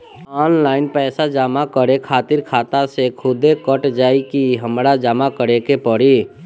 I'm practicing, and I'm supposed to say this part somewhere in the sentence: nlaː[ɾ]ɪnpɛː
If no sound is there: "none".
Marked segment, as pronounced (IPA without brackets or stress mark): none